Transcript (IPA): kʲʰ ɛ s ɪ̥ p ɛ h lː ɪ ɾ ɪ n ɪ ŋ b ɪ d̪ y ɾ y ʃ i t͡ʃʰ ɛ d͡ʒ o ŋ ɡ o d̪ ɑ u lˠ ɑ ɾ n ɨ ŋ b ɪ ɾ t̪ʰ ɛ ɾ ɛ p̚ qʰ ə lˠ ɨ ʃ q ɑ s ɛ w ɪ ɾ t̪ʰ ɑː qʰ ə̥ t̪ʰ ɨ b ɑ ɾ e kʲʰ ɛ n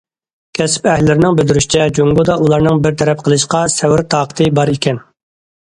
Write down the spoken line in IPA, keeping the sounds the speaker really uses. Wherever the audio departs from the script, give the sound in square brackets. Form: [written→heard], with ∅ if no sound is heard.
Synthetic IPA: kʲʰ ɛ s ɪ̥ p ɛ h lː ɪ ɾ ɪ n ɪ ŋ b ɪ d̪ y ɾ y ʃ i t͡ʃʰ ɛ d͡ʒ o ŋ ɡ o d̪ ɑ u lˠ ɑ ɾ n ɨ ŋ b ɪ ɾ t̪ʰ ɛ ɾ ɛ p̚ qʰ ə lˠ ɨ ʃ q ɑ s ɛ w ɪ ɾ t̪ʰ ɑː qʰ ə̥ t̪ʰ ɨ b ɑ ɾ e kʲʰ ɛ n